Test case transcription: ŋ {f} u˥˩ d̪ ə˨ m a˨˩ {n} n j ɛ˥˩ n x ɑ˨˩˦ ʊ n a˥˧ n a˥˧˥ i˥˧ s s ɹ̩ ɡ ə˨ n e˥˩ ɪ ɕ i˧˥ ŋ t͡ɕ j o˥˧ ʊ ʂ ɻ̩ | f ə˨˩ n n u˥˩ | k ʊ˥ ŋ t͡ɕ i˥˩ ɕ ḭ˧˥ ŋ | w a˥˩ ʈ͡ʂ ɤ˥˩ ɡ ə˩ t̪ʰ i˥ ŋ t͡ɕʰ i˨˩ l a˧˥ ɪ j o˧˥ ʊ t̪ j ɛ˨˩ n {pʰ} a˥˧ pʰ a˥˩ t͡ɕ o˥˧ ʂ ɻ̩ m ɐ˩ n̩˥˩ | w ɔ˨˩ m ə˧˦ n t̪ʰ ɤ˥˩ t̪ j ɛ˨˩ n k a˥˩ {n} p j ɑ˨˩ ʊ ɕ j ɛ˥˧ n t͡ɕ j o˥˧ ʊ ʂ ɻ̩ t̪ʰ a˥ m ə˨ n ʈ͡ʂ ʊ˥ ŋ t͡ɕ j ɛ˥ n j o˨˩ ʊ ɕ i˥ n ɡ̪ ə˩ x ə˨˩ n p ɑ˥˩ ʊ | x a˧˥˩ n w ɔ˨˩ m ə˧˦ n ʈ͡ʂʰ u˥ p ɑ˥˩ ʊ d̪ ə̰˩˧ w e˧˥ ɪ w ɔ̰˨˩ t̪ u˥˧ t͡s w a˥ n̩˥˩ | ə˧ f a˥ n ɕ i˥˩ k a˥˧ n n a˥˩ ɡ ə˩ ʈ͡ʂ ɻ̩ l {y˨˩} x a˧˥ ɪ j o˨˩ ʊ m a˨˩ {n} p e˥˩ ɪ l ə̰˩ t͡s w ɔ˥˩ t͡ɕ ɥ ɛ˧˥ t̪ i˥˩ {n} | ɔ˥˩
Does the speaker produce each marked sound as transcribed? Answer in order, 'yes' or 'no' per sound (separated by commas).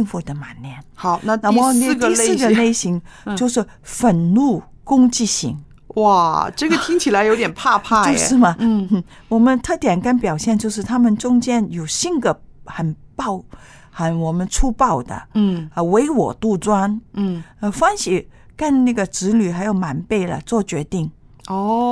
yes, yes, yes, yes, yes, yes, no